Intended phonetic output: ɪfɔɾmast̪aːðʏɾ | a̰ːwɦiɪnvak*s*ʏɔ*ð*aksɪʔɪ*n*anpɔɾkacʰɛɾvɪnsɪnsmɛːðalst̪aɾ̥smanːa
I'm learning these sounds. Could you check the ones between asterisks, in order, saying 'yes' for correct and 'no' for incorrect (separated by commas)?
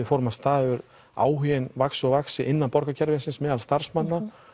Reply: yes, no, no